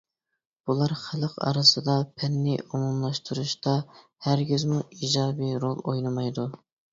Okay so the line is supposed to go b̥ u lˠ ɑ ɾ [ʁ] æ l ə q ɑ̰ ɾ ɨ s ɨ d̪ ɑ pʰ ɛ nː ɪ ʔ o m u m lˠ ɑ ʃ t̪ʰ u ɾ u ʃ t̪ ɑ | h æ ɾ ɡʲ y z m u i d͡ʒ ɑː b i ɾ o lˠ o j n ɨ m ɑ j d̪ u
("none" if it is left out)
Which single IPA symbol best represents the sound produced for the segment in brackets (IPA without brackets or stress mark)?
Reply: χ